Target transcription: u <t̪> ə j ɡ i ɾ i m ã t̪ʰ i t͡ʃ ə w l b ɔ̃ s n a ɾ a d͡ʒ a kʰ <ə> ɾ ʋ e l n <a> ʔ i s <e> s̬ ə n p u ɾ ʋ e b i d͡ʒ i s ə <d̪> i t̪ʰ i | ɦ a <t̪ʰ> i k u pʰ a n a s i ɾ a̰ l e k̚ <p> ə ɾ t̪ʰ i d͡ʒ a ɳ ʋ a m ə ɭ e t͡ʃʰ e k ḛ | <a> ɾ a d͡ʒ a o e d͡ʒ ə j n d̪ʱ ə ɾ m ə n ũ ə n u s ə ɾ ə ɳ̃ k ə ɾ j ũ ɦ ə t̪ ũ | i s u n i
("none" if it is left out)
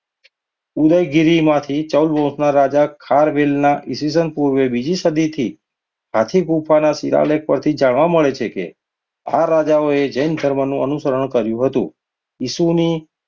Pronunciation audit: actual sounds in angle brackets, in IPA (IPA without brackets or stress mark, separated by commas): d̪, a, a, i, d̪, t̪ʰ, p, a